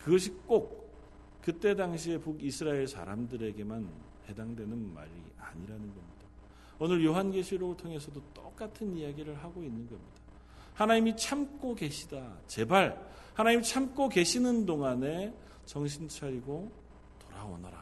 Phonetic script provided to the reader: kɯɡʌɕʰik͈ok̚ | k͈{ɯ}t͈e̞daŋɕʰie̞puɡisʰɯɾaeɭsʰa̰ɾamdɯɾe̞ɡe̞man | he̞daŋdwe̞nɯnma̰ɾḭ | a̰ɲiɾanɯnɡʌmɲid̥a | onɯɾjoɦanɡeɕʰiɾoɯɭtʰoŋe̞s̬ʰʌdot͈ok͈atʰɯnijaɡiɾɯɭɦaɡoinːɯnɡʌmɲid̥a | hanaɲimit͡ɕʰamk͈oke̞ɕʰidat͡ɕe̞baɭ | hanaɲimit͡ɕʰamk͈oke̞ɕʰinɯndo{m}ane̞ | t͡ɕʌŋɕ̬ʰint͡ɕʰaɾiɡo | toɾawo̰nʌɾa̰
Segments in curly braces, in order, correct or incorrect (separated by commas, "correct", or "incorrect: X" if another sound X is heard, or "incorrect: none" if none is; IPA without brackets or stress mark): correct, incorrect: ŋ